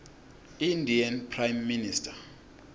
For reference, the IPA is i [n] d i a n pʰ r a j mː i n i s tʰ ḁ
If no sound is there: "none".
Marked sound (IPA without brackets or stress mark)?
n